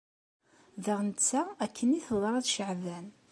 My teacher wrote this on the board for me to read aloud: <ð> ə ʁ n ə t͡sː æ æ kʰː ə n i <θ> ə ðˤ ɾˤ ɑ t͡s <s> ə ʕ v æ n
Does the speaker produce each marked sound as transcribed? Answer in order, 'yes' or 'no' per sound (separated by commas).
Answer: yes, yes, no